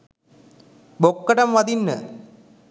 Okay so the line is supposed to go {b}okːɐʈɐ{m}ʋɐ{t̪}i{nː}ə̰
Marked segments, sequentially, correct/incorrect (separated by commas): correct, correct, incorrect, correct